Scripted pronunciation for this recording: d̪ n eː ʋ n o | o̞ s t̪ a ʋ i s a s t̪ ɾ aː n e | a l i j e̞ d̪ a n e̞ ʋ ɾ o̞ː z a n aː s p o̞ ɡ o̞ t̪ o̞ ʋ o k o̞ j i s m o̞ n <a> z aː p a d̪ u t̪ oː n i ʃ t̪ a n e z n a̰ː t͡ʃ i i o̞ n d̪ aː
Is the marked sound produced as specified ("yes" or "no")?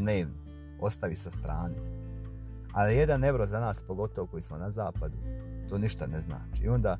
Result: yes